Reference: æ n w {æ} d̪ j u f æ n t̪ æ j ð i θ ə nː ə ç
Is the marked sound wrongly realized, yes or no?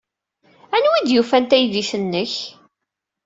yes